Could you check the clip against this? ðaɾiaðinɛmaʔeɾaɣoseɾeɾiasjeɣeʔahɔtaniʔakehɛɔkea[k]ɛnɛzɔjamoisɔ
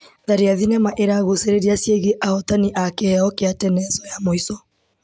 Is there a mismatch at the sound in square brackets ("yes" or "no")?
yes